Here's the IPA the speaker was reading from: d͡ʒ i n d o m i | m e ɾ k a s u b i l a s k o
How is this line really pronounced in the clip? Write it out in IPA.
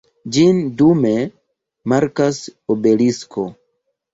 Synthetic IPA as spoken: d͡ʒ i n d u m e | m a ɾ k a s o b e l i s k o